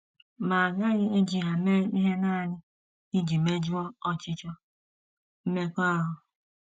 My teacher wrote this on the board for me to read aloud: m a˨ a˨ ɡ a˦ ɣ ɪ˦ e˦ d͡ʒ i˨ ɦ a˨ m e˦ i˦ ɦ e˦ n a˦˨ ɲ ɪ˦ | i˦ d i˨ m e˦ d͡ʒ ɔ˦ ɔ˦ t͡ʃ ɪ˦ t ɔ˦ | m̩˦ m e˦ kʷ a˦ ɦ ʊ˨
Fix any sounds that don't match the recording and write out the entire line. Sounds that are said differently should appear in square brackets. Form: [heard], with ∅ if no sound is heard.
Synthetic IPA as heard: m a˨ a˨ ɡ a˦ ɣ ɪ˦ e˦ d͡ʒ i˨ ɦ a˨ m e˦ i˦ ɦ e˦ n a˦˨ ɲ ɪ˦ | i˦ [d͡ʒ] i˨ m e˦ d͡ʒ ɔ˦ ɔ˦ t͡ʃ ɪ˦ [t͡ʃ] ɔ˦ | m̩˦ m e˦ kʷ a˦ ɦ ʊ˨